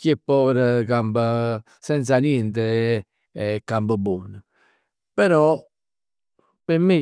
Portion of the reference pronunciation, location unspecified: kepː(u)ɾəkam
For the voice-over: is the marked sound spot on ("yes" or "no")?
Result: no